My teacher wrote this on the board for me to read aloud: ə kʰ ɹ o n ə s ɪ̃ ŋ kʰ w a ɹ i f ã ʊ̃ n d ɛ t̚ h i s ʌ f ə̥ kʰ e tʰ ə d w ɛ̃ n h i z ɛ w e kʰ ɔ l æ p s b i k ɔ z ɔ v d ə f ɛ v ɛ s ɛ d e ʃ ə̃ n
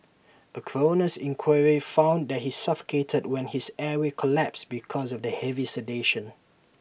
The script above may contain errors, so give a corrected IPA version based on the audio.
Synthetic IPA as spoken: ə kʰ ɹ o n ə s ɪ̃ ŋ kʰ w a ɹ i f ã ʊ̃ n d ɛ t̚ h i s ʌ f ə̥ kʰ e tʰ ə d w ɛ̃ n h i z ɛ w e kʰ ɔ l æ p s b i kʰ ɔ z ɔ v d ə h ɛ v i s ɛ d e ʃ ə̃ n